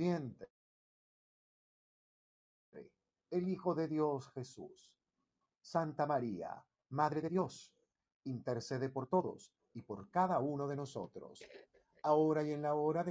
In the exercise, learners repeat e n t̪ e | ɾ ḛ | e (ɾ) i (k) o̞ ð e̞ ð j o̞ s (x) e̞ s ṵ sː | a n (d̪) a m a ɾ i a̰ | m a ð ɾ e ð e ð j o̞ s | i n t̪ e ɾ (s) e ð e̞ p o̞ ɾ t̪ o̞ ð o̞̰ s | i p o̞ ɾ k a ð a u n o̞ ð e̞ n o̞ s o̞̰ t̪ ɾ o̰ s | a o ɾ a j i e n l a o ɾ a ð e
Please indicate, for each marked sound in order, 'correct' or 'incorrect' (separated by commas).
incorrect, incorrect, correct, incorrect, correct